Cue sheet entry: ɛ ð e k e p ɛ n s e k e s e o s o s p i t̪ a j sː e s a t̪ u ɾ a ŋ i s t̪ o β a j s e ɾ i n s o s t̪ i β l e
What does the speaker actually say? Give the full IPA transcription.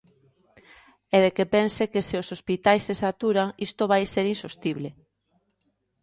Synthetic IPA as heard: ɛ ð e k e p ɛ n s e k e s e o s o s p i t̪ a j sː e s a t̪ u ɾ a ŋ i s t̪ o β a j s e ɾ i n s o s t̪ i β l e